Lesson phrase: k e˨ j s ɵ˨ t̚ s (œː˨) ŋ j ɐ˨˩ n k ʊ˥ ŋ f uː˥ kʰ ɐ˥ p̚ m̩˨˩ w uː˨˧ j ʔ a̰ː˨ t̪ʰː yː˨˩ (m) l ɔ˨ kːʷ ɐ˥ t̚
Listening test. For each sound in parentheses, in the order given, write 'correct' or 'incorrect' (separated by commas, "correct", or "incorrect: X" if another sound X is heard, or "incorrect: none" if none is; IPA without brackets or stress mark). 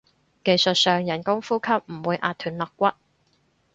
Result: correct, incorrect: n